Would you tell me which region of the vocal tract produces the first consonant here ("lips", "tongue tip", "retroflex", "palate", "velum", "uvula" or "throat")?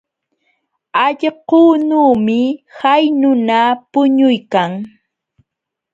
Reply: palate